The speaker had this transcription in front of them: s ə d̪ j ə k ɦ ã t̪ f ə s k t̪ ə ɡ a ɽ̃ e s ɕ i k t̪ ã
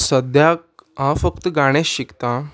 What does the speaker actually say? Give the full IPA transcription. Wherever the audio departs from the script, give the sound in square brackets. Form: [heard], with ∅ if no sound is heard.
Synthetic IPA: s ə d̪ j [a] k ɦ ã [∅] f ə [∅] k t̪ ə ɡ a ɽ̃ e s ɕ i k t̪ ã